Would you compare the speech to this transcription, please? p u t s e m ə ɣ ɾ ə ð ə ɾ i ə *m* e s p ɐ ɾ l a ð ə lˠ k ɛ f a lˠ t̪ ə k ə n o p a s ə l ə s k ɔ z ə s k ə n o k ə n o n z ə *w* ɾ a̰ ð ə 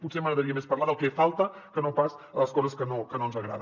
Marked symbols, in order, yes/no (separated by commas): yes, no